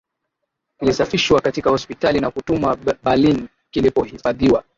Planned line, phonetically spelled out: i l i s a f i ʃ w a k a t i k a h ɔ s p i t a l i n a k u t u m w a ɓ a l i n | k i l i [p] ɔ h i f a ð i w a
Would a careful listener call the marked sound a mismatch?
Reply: no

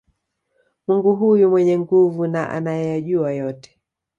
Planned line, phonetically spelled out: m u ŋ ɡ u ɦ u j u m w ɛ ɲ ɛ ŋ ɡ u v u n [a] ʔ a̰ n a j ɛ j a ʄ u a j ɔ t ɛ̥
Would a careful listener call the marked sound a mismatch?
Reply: no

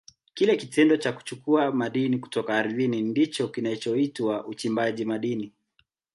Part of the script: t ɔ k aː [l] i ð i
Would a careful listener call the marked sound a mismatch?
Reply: yes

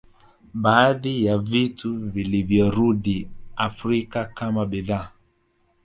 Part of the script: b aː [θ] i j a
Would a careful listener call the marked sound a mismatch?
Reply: yes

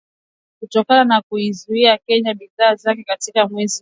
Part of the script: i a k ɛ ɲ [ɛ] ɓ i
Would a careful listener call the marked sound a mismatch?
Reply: yes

